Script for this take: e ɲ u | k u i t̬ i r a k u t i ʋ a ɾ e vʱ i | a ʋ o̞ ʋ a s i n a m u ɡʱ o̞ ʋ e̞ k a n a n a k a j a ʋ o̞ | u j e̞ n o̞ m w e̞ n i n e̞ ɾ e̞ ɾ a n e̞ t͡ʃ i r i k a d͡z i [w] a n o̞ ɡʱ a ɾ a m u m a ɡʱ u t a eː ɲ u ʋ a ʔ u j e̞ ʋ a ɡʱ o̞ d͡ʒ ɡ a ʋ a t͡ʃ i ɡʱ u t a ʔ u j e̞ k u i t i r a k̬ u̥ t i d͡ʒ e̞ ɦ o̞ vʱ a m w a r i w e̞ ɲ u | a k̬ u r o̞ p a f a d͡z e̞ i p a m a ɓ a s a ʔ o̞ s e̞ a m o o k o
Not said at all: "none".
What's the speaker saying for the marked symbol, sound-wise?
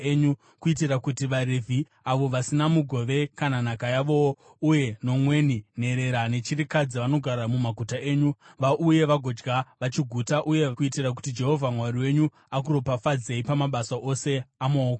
ʋ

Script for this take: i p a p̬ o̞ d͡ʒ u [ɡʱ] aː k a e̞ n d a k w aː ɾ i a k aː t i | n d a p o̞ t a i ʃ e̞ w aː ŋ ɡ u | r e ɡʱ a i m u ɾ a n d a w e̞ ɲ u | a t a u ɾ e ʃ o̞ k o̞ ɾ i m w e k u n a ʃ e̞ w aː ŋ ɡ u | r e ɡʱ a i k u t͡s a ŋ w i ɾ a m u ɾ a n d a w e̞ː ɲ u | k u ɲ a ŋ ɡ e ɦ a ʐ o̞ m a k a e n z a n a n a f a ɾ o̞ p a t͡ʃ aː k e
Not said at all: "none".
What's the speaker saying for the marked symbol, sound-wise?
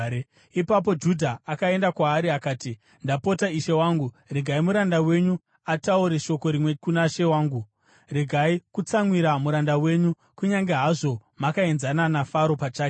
dʱ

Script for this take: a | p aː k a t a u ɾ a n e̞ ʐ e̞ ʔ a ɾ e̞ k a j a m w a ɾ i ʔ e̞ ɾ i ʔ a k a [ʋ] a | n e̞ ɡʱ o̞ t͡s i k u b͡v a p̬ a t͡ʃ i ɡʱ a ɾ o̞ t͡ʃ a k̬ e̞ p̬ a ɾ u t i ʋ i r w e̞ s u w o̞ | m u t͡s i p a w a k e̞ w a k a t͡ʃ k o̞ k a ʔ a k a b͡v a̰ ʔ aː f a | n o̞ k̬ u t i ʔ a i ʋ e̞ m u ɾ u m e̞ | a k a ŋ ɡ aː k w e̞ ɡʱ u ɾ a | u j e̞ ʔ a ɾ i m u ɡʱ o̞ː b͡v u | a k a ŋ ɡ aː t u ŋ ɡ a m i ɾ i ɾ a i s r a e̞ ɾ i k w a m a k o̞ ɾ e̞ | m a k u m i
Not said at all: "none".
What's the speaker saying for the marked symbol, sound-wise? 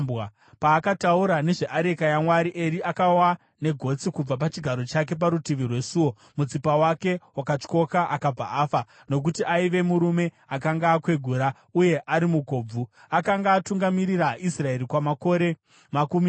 w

